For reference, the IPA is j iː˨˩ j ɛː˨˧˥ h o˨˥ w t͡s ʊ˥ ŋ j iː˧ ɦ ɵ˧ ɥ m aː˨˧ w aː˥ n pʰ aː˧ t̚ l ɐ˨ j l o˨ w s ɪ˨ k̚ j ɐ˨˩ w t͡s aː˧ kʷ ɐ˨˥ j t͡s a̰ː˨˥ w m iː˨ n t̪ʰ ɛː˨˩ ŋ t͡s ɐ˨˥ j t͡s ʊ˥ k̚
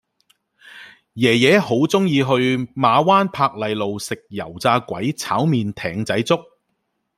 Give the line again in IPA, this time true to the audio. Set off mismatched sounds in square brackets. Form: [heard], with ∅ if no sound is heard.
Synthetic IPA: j [ɛː˨˩] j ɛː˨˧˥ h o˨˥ w t͡s ʊ˥ ŋ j iː˧ ɦ ɵ˧ ɥ m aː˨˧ w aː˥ n pʰ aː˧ [k̚] l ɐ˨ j l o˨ w s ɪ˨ k̚ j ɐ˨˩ w t͡s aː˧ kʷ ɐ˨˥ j [t͡sʰ] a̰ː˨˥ w m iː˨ n t̪ʰ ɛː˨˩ ŋ t͡s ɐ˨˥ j t͡s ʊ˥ k̚